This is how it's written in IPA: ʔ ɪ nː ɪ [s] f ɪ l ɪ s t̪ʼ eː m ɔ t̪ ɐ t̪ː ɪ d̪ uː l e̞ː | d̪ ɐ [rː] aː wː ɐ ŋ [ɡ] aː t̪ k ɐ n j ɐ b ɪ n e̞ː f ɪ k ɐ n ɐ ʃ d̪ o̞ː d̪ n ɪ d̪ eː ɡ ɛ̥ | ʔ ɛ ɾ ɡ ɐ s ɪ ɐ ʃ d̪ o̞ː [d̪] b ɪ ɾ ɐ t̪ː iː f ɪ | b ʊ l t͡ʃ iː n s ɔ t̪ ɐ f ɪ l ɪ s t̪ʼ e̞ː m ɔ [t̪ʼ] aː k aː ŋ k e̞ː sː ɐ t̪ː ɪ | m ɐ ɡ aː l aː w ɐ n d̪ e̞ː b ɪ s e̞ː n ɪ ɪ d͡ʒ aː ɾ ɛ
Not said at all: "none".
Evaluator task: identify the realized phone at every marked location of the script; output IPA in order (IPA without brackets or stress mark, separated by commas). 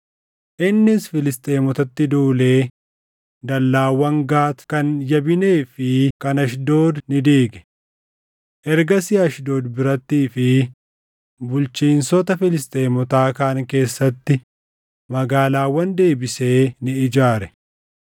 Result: s, lː, ɡ, d̪, t̪